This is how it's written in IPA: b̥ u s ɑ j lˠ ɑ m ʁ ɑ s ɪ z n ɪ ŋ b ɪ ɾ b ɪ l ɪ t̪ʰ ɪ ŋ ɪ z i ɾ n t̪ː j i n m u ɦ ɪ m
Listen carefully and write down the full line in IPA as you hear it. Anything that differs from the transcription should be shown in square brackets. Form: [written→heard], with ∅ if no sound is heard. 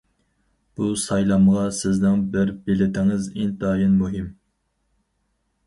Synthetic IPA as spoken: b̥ u s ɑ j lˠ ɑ m ʁ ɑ s ɪ z n ɪ ŋ b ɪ ɾ b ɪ l ɪ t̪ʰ ɪ ŋ ɪ z i [ɾ→∅] n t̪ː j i n m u ɦ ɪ m